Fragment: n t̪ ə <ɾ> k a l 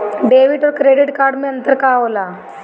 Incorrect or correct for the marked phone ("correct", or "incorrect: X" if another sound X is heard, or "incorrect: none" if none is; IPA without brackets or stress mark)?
correct